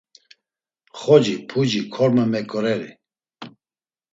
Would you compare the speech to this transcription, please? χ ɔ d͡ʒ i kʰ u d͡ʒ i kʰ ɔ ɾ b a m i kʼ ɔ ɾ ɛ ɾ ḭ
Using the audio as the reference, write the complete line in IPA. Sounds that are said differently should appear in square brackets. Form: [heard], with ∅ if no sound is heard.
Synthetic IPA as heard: χ ɔ d͡ʒ i [pʰ] u d͡ʒ i kʰ ɔ ɾ [m] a m [ɛ] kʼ ɔ ɾ ɛ ɾ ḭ